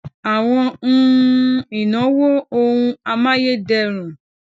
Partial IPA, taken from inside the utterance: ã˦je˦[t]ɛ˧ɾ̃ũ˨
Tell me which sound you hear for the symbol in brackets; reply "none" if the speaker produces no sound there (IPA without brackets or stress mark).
d